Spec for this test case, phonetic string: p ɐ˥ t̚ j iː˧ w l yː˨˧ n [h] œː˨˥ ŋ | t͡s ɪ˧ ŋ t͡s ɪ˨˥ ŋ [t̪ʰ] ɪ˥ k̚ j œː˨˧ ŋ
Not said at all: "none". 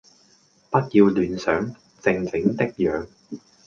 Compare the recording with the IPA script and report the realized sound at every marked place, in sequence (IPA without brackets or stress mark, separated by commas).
s, t̪